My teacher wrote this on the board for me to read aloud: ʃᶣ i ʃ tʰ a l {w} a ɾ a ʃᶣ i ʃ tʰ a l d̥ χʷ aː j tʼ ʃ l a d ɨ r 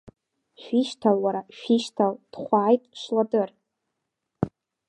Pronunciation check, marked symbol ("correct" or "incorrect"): correct